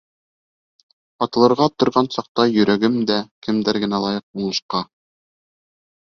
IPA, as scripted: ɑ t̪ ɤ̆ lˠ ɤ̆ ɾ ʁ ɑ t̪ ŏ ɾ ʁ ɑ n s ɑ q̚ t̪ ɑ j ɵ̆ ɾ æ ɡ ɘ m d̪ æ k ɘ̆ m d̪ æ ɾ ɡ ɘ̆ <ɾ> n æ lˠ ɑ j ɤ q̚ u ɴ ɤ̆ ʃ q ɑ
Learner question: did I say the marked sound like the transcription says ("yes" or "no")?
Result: no